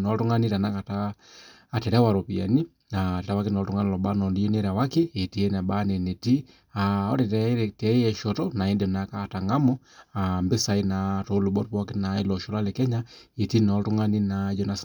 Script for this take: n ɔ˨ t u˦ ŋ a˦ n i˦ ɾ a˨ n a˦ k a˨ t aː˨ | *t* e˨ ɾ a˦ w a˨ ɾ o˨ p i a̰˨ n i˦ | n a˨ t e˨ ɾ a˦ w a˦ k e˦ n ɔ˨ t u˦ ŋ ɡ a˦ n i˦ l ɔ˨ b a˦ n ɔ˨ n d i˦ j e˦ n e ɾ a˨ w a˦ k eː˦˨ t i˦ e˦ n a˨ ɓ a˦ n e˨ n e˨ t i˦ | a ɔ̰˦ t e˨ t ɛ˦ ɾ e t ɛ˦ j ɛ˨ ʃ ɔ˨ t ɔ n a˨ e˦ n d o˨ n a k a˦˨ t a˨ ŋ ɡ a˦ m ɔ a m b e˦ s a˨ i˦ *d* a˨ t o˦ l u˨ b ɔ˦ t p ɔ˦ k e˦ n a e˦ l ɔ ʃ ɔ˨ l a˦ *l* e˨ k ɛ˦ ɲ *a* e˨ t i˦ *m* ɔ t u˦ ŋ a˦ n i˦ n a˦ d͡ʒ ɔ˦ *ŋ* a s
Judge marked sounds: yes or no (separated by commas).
yes, no, yes, yes, no, no